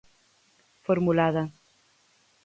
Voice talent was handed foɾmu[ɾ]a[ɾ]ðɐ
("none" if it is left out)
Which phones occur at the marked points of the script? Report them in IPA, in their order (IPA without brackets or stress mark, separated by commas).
l, none